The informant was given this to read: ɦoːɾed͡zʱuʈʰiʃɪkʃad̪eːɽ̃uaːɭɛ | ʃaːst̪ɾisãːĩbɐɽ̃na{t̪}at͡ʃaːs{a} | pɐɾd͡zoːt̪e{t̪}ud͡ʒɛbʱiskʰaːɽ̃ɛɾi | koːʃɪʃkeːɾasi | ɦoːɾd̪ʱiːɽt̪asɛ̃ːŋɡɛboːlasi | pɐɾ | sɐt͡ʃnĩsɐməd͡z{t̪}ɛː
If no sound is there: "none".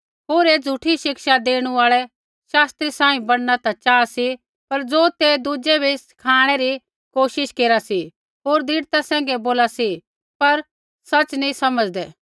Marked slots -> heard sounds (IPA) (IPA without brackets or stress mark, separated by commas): t̪, i, d̪, d̪